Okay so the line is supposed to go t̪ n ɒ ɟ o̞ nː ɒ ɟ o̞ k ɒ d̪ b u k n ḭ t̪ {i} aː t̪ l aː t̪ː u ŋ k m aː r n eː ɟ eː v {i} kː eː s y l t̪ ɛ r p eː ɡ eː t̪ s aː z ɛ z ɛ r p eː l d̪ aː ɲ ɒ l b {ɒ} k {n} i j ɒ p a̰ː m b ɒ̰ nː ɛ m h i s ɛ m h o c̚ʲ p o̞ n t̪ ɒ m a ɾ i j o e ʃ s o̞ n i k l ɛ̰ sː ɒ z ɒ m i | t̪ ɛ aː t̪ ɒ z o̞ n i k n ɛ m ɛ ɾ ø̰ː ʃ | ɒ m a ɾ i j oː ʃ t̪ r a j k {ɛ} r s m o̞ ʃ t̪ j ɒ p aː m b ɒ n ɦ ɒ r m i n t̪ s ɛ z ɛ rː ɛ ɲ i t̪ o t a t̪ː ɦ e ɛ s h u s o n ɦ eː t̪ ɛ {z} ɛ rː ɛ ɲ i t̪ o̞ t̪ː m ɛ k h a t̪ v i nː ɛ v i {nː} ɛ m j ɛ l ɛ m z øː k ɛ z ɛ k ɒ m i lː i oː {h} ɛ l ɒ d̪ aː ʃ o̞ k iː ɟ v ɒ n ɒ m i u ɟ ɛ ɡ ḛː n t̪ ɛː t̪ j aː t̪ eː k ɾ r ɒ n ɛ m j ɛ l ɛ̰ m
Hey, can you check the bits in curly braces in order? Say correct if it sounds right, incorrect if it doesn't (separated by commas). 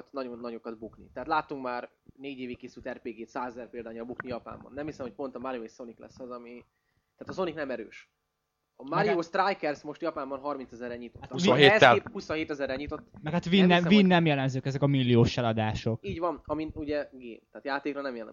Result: incorrect, correct, incorrect, correct, correct, correct, correct, incorrect